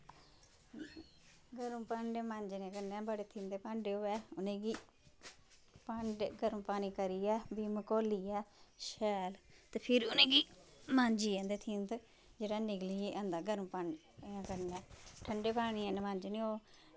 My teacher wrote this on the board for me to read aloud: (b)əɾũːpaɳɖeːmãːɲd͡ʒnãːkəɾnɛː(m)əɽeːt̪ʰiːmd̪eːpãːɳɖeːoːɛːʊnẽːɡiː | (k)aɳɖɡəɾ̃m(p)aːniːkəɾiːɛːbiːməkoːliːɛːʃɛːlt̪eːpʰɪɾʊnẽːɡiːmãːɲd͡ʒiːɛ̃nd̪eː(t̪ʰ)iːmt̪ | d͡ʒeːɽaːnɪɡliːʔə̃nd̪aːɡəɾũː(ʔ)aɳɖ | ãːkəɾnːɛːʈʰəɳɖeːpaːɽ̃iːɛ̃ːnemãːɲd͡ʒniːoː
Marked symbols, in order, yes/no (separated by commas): no, no, no, yes, yes, no